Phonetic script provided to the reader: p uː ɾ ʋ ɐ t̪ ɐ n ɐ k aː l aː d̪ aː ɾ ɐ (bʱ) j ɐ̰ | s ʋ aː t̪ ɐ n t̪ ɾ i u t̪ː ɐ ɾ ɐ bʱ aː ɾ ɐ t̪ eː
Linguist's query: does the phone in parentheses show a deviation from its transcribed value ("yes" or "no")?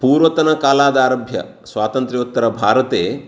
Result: no